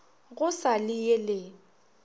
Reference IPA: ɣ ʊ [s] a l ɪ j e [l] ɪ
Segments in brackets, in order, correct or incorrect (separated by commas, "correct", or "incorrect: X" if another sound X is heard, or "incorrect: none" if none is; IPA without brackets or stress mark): correct, correct